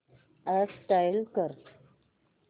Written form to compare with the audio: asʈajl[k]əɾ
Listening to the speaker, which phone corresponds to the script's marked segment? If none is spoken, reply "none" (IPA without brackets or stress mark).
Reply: k